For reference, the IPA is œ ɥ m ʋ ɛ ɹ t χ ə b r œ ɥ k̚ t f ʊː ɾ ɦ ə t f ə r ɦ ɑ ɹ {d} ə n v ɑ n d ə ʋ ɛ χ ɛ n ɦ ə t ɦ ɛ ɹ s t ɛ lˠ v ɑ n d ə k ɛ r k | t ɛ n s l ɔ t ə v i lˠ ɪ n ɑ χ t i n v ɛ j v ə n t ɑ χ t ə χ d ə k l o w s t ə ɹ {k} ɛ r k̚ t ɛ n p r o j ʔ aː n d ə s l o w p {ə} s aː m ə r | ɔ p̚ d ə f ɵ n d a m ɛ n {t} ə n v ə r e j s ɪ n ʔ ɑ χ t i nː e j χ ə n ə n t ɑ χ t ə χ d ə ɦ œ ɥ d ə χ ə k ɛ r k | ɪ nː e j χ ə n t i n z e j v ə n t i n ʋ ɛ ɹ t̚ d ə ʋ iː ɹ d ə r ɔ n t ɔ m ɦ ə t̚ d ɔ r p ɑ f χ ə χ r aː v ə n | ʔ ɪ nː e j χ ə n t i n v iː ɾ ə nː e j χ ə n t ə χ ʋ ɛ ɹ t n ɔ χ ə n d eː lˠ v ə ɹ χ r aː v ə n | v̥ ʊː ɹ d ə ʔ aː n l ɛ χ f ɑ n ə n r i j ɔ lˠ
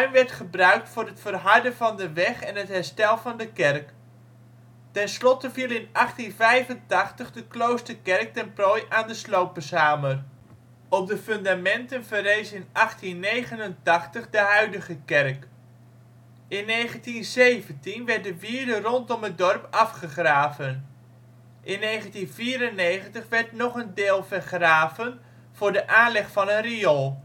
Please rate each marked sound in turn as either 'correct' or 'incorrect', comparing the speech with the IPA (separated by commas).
correct, correct, correct, correct